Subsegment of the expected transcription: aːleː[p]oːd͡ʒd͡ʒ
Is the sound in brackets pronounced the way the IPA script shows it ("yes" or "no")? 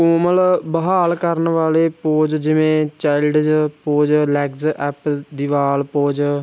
yes